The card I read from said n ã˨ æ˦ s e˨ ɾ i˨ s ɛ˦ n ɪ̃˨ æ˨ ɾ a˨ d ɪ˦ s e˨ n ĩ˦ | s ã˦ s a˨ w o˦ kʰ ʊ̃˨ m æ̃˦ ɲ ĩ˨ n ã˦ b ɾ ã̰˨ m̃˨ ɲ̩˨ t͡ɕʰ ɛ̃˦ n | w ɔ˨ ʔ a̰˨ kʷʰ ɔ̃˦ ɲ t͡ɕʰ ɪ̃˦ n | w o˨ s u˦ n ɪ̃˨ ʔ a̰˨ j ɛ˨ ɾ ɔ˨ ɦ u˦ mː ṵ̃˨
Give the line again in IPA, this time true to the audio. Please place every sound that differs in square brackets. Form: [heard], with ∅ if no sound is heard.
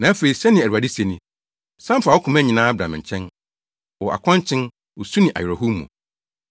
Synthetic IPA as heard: n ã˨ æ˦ [f] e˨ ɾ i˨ s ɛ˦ n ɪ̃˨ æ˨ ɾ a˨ d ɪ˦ s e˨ n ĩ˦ | s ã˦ [f] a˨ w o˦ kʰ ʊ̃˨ m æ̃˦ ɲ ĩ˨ n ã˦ b ɾ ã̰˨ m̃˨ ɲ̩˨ t͡ɕʰ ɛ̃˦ n | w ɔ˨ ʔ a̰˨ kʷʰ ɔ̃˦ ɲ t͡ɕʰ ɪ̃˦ n | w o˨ s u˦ n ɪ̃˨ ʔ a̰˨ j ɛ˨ ɾ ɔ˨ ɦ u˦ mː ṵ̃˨